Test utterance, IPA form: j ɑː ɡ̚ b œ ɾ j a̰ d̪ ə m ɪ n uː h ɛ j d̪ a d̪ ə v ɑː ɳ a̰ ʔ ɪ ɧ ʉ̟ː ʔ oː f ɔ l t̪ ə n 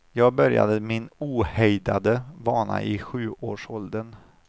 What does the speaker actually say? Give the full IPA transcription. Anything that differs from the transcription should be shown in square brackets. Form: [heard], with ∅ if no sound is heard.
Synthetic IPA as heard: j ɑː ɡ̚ b œ ɾ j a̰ d̪ ə m ɪ n uː h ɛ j d̪ a d̪ ə v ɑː ɳ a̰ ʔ ɪ ɧ ʉ̟ː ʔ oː [ʂ] ɔ l [d̪] ə n

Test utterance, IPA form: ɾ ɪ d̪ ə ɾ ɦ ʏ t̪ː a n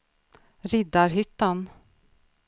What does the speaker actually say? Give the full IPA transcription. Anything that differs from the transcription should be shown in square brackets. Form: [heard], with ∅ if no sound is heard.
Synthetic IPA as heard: ɾ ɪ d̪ [a] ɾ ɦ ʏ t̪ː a n

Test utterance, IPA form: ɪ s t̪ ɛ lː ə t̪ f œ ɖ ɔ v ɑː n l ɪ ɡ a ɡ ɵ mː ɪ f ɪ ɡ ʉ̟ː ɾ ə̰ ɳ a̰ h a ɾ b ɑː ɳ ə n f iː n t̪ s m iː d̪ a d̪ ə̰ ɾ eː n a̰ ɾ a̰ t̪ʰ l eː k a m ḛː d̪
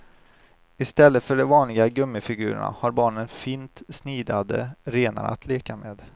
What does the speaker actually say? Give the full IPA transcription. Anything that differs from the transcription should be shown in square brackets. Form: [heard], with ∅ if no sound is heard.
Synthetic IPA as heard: ɪ s t̪ ɛ lː ə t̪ f œ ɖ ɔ v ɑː n l ɪ ɡ a ɡ ɵ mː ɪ f ɪ ɡ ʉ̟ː ɾ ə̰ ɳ a̰ h a ɾ b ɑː ɳ ə n f iː n t̪ s [n] iː d̪ a d̪ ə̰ ɾ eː n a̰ ɾ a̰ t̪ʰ l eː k a m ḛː d̪

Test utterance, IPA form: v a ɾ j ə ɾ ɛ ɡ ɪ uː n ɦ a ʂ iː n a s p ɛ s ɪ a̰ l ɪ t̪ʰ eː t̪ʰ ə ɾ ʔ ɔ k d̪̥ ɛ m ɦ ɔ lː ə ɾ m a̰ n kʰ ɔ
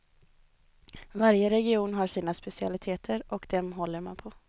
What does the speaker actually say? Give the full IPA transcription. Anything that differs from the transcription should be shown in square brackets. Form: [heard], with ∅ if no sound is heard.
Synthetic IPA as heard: v a ɾ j ə ɾ ɛ ɡ ɪ uː n ɦ a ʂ iː n a s p ɛ s ɪ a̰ l ɪ t̪ʰ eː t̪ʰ ə ɾ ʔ ɔ k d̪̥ ɛ m ɦ ɔ lː ə ɾ m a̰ n [pʰ] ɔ

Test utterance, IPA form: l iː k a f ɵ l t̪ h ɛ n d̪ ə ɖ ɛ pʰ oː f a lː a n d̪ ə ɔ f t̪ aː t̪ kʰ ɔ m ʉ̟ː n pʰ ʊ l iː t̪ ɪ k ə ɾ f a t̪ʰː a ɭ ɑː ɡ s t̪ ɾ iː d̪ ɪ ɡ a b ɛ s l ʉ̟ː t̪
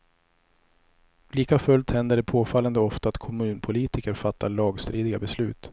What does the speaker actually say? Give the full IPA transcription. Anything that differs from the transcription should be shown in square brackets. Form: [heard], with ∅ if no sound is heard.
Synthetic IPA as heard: l iː k a f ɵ l t̪ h ɛ n d̪ ə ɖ ɛ pʰ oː f a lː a n d̪ ə ɔ f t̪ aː t̪ kʰ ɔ m ʉ̟ː n pʰ ʊ l iː t̪ ɪ k ə ɾ f a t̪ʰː a ɭ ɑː ɡ s t̪ ɾ iː d̪ ɪ ɡ a b ɛ s l ʉ̟ː t̪

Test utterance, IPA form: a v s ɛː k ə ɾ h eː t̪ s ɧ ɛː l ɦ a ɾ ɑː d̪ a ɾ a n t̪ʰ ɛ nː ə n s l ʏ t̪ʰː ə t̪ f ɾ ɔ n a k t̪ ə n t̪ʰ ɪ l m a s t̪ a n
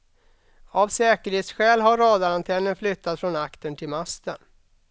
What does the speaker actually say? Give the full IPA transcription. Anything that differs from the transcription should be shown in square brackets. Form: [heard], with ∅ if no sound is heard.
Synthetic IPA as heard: a v s ɛː k ə ɾ h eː t̪ s ɧ ɛː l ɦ a ɾ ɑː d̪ a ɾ a n t̪ʰ ɛ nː ə n [f] l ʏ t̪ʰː [a] t̪ f ɾ ɔ n a k t̪ ə n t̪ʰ ɪ l m a s t̪ [ə] n

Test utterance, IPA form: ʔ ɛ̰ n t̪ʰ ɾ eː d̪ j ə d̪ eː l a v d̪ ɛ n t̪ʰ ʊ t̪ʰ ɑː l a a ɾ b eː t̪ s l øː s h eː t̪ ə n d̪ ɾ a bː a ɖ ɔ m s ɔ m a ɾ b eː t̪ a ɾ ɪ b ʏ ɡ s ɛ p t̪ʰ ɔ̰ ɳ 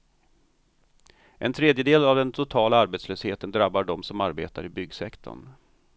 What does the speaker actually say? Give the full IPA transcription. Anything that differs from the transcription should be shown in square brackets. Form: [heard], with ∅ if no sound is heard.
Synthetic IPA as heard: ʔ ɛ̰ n t̪ʰ ɾ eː d̪ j ə d̪ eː l a v d̪ ɛ n t̪ʰ ʊ t̪ʰ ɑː l a a ɾ b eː t̪ s l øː s h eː t̪ ə n d̪ ɾ a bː a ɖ ɔ m s ɔ m a ɾ b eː t̪ a ɾ ɪ b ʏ ɡ s ɛ [k] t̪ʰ ɔ̰ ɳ

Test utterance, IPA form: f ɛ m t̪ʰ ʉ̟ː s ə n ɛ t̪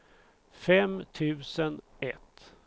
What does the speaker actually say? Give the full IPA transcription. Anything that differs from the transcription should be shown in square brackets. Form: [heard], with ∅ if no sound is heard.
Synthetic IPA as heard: f ɛ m t̪ʰ ʉ̟ː s ə n ɛ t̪

